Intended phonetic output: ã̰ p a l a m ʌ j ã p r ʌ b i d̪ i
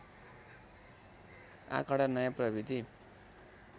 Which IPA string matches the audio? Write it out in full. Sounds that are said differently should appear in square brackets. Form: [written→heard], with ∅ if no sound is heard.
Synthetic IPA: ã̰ [p→k] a [l→ɽ] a [m→n] ʌ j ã p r ʌ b i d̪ i